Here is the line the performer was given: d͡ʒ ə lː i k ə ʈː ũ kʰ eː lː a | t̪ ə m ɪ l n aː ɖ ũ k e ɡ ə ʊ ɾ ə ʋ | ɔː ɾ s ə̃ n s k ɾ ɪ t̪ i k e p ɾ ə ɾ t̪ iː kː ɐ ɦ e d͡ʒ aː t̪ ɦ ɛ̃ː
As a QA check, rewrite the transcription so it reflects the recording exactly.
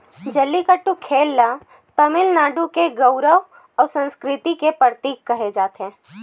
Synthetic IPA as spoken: d͡ʒ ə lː i k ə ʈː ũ kʰ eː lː a | t̪ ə m ɪ l n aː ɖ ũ k e ɡ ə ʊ ɾ ə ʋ | ɔː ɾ s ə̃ n s k ɾ ɪ t̪ i k e p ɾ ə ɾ t̪ iː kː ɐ ɦ e d͡ʒ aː t̪ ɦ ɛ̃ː